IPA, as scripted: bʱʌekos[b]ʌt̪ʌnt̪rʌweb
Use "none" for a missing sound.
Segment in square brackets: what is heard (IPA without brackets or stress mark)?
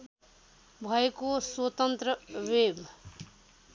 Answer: w